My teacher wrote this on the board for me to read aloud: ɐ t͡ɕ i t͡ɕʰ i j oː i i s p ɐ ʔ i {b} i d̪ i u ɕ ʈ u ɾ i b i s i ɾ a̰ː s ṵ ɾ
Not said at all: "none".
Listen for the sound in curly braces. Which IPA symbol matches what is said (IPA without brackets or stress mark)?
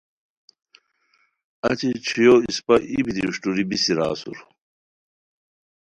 b